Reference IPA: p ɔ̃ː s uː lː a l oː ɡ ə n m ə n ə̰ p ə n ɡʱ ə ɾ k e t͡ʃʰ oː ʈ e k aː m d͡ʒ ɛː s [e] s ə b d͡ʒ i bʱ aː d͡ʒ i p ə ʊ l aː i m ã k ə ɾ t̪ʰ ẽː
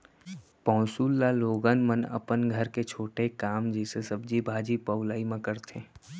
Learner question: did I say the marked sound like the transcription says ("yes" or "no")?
yes